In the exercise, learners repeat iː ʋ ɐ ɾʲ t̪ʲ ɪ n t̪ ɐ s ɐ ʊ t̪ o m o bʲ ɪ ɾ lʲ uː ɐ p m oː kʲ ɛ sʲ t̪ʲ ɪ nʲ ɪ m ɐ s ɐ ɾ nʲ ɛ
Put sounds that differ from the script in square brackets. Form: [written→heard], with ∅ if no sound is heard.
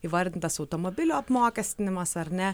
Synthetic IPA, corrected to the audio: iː ʋ ɐ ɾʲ [t̪ʲ→d̪ʲ] ɪ n t̪ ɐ s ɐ ʊ t̪ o m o bʲ ɪ [ɾ→∅] lʲ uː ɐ p m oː kʲ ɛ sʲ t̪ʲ ɪ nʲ ɪ m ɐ s ɐ ɾ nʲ ɛ